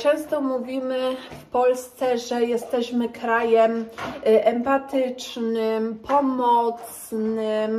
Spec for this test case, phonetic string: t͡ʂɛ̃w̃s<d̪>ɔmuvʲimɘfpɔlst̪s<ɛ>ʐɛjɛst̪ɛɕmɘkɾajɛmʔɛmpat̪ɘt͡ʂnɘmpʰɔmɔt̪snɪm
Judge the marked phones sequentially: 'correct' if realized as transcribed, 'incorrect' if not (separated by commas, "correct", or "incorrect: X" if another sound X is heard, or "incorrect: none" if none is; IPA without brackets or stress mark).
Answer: incorrect: t̪, correct